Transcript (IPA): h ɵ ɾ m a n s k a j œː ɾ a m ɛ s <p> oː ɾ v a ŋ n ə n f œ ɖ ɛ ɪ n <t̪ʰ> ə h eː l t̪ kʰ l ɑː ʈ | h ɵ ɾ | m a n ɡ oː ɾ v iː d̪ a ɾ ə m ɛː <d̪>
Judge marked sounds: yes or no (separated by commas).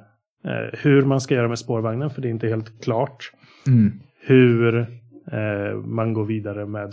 yes, no, yes